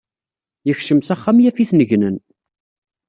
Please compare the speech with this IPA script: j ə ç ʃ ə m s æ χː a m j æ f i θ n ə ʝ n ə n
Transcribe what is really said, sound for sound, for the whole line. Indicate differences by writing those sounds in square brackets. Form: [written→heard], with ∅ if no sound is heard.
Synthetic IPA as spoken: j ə ç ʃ ə m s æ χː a m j æ f i θ n ə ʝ n ə n